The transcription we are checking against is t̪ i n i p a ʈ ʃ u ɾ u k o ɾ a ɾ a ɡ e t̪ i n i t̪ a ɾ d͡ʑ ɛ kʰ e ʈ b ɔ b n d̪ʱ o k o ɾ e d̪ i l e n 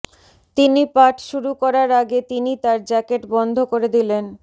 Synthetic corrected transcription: t̪ i n i p a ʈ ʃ u ɾ u k ɔ ɾ a ɾ a ɡ e t̪ i n i t̪ a ɾ d͡ʑ ɛ k e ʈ b ɔ n d̪ʱ o k o ɾ e d̪ i l e n